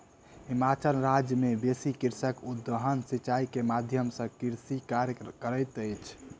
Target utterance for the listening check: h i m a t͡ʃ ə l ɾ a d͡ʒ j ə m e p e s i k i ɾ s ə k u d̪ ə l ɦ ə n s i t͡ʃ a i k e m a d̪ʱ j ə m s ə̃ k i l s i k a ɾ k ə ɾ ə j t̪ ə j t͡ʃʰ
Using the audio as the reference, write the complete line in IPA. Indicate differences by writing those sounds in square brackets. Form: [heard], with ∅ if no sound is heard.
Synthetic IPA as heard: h i m a t͡ʃ ə l ɾ a d͡ʒ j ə m e [b] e s i k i ɾ s ə k u d̪ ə [∅] ɦ ə n s i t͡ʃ a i k e m a d̪ʱ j ə m s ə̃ k i [ɾ] s i k a ɾ k ə ɾ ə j t̪ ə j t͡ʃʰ